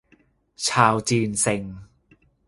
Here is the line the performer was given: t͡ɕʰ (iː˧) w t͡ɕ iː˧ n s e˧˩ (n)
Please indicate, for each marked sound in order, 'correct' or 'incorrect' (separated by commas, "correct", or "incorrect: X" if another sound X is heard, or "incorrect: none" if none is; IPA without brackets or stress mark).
incorrect: aː˧, incorrect: ŋ